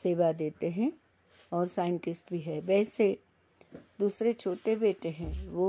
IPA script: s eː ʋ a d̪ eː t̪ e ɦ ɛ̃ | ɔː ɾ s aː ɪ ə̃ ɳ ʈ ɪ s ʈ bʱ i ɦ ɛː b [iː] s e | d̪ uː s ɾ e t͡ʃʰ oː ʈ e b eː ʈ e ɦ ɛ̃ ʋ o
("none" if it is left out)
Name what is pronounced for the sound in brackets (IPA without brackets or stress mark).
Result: ɛː